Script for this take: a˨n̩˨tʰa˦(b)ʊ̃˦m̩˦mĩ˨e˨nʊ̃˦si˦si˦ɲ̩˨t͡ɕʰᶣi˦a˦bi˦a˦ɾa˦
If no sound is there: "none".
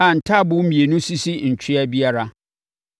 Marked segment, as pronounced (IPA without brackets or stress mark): b